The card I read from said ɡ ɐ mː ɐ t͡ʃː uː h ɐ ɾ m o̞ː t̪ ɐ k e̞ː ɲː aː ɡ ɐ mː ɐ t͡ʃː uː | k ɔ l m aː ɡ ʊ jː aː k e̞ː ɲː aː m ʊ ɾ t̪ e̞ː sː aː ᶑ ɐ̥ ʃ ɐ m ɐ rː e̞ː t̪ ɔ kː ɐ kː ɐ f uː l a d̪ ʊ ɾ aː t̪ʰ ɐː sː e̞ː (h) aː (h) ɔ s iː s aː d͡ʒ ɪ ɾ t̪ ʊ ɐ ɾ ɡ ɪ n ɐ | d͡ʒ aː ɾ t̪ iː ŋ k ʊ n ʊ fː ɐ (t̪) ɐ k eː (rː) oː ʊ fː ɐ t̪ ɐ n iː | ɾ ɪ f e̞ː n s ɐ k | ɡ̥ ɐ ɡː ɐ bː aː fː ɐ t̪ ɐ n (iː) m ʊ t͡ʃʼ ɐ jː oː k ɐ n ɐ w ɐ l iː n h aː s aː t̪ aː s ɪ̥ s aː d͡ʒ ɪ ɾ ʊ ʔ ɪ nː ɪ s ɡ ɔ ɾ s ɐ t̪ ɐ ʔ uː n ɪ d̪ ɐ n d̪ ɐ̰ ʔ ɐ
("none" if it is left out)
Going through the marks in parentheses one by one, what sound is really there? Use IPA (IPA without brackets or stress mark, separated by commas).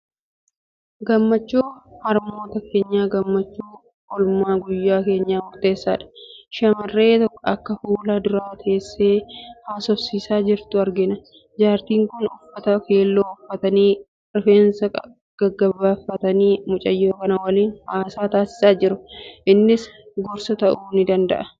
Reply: h, s, t̪, lː, iː